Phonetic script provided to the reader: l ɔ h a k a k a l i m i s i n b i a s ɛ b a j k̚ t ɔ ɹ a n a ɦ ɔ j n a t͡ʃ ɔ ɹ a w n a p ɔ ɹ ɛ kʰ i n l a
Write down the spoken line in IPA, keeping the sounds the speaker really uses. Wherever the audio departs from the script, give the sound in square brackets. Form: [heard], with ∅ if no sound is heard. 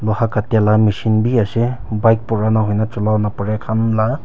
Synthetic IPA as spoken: l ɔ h a k a [t] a l [a] m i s i n b i a s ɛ b a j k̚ [p] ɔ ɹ a n a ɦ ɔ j n a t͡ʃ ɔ [l] a w n a p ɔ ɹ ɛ kʰ [a] n l a